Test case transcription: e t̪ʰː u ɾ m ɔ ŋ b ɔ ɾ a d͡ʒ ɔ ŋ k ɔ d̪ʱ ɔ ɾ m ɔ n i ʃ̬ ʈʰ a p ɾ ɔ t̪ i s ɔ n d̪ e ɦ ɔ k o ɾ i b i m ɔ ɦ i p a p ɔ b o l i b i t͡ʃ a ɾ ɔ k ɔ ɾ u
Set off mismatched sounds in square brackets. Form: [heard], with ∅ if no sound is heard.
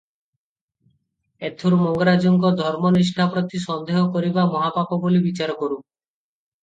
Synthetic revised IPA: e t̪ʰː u ɾ m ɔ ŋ [ɡ] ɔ ɾ a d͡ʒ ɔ ŋ k ɔ d̪ʱ ɔ ɾ m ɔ n i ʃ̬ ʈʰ a p ɾ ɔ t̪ i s ɔ n d̪ e ɦ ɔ k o ɾ i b [a] m ɔ ɦ [a] p a p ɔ b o l i b i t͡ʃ a ɾ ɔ k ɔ ɾ u